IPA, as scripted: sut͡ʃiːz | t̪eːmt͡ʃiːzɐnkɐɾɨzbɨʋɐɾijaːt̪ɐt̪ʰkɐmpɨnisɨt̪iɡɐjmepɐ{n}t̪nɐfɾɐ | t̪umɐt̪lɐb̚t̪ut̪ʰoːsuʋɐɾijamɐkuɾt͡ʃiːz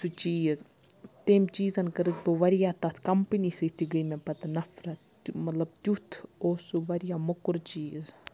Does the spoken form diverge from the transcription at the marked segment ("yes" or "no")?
yes